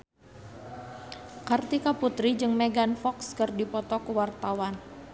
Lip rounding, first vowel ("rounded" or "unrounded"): unrounded